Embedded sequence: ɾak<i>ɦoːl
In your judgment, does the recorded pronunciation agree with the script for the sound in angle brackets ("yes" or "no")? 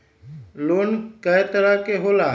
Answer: no